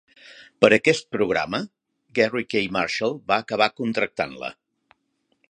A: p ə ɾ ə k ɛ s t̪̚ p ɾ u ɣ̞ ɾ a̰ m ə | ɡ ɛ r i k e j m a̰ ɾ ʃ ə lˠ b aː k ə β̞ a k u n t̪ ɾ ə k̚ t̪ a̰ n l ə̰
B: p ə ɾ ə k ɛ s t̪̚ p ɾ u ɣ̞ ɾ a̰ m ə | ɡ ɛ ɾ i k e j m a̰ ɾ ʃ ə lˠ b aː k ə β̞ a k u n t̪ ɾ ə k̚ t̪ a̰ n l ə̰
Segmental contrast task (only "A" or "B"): A